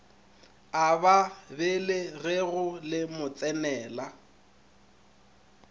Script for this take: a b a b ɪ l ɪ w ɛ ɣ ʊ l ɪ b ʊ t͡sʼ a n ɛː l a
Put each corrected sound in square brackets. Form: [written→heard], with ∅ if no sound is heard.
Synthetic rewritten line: a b a b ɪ l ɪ [w→ɣ] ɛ ɣ ʊ l ɪ [b→m] ʊ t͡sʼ [a→ɛ] n ɛː l a